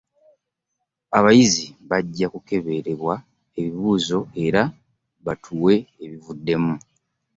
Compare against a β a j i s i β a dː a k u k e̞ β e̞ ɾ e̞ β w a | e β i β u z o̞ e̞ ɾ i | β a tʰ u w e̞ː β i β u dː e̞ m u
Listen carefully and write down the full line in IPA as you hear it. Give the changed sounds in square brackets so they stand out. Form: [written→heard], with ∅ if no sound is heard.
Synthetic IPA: a β a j i [s→z] i β a [dː→ɟː] a k u k e̞ β e̞ ɾ e̞ β w a | e β i β [u→uː] z o̞ e̞ ɾ [i→a] | β a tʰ u w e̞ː β i [β→v] u dː e̞ m u